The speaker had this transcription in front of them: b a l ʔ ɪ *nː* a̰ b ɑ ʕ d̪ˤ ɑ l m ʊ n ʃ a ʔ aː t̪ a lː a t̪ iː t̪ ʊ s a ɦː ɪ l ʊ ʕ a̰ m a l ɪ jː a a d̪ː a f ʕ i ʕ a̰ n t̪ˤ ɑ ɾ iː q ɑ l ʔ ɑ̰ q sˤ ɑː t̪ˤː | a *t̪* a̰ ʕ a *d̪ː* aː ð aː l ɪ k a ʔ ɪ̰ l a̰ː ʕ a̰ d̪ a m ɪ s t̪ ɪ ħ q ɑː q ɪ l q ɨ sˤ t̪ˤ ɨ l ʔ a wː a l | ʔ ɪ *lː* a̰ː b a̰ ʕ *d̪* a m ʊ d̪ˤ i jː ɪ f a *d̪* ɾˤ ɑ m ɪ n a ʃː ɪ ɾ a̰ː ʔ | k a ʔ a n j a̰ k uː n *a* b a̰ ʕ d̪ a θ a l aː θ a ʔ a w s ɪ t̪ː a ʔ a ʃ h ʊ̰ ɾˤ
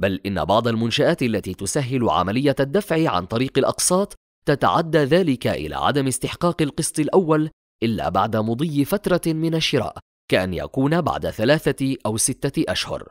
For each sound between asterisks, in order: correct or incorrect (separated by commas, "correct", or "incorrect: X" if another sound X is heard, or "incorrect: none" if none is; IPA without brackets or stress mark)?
correct, correct, correct, correct, correct, incorrect: t̪, correct